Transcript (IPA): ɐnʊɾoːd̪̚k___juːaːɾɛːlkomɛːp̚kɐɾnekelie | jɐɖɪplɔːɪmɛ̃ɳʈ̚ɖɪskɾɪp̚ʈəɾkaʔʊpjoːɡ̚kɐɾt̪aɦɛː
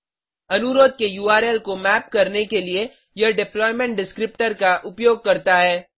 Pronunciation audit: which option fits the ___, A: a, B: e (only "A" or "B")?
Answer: B